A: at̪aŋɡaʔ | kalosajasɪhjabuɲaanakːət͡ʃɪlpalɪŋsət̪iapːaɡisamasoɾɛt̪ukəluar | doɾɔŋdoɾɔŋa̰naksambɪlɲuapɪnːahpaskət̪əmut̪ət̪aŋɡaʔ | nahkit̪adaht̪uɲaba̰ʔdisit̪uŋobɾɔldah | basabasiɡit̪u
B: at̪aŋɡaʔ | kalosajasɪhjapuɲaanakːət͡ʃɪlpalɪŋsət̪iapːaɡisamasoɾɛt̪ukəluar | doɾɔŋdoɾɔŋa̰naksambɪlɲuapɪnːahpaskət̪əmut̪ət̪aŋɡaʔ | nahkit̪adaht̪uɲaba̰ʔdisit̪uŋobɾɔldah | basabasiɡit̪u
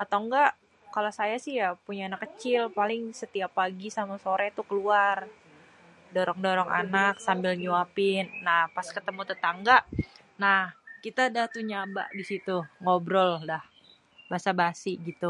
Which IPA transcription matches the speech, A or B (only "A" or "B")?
B